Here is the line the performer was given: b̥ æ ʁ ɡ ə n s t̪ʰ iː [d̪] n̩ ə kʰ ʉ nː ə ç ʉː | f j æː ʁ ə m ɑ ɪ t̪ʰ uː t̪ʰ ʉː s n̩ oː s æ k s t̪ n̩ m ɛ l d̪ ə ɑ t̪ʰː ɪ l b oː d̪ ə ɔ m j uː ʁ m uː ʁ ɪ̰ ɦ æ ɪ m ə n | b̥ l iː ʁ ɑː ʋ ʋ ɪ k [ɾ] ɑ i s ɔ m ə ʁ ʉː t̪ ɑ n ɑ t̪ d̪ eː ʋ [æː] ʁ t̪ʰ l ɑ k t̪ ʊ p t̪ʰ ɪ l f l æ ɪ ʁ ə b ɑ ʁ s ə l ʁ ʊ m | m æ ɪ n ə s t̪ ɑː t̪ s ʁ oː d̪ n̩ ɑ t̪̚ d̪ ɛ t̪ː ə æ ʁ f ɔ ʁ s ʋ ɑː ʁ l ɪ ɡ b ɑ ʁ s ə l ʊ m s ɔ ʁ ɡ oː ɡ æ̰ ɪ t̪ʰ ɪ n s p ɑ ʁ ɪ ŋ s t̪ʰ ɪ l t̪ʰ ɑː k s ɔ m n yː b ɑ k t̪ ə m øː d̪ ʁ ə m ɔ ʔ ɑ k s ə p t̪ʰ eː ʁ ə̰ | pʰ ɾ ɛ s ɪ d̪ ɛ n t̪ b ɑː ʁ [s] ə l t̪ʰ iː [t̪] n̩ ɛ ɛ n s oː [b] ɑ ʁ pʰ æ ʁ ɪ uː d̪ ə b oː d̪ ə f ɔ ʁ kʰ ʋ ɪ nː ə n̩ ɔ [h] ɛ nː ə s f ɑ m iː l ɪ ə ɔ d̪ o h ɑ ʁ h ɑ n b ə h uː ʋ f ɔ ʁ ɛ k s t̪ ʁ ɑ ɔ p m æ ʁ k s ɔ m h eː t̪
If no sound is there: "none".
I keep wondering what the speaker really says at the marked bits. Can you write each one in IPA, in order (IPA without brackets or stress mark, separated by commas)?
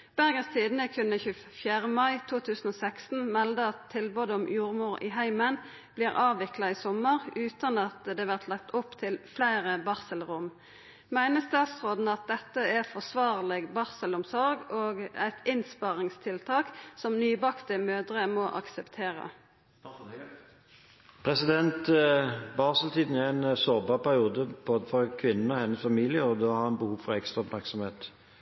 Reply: d̪, l, æ, s, d̪, b, h